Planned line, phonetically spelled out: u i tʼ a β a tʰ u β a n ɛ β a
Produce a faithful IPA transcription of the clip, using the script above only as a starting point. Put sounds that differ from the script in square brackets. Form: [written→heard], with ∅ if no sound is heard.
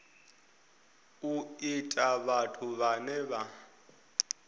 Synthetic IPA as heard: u i tʼ a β a tʰ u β a n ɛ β a

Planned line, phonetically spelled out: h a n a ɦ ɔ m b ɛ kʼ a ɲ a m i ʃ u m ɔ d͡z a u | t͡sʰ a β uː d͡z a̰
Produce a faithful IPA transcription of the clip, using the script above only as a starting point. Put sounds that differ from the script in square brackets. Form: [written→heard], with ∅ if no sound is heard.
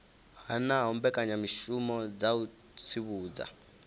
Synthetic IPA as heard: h a n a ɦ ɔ m b ɛ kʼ a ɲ a m i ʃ u m ɔ d͡z a u | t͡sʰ [a→i] β uː d͡z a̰

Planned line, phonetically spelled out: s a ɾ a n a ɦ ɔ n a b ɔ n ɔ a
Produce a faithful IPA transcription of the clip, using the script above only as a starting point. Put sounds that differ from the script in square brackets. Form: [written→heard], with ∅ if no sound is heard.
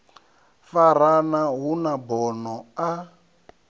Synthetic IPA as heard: [s→f] a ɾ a n a ɦ [ɔ→u] n a b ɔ n ɔ a

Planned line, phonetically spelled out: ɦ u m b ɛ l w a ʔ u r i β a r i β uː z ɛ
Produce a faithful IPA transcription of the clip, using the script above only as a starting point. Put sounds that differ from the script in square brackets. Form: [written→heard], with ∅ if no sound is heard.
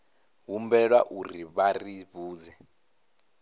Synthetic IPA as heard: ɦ u m b ɛ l w a ʔ u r i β a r i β uː z ɛ

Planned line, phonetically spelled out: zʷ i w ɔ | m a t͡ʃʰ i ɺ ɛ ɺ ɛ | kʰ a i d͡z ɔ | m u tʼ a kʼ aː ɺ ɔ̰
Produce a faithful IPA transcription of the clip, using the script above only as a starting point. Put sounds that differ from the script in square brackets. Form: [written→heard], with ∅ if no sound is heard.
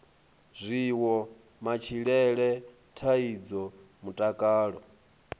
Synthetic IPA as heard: zʷ i w ɔ | m a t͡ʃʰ i ɺ ɛ ɺ ɛ | [kʰ→tʰ] a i d͡z ɔ | m u tʼ a kʼ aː ɺ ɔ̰

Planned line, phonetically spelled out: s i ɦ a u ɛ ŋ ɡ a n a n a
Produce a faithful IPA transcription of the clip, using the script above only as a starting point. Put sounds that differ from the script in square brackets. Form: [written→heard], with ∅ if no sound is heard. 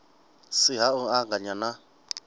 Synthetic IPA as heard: s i ɦ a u [ɛ→a] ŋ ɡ a [n→ɲ] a n a

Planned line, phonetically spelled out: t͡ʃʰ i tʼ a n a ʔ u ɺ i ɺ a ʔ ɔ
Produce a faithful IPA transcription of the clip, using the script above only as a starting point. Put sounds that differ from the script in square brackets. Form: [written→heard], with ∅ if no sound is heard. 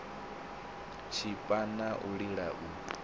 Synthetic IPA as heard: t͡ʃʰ i [tʼ→pʼ] a n a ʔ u ɺ i ɺ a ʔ [ɔ→u]

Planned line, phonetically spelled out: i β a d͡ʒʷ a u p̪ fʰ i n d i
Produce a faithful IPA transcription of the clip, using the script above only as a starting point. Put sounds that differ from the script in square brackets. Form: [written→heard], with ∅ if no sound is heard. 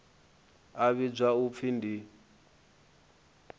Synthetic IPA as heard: [i→a] β [a→i] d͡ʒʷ a u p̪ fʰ i n d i

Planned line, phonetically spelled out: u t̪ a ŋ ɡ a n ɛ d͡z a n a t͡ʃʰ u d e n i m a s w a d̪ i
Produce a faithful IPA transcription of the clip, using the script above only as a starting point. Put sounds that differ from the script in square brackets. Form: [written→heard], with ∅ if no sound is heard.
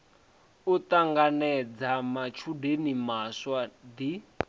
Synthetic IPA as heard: u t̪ a ŋ ɡ a n ɛ d͡z a [n→m] a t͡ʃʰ u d e n i m a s w a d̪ i

